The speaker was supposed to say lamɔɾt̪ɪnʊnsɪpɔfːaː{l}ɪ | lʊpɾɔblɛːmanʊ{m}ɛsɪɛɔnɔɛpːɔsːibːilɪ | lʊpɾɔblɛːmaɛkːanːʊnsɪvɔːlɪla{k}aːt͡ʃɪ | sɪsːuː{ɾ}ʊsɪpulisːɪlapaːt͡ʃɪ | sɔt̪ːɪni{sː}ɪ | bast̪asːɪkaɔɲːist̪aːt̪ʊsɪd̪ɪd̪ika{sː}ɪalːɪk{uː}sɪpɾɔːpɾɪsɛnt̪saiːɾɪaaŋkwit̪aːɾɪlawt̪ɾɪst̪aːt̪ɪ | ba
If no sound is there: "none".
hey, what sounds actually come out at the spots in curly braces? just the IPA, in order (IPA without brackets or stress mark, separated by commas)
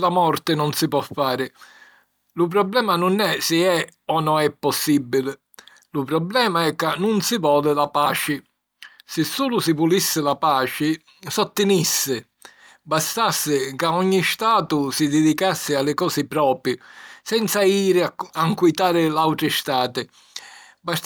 ɾ, n, p, l, sː, sː, ɔː